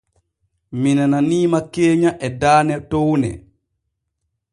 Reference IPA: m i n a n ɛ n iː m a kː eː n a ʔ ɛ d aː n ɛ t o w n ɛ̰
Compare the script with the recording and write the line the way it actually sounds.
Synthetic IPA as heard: m i n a n a n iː m a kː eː ɲ a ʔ ɛ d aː n ɛ t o w n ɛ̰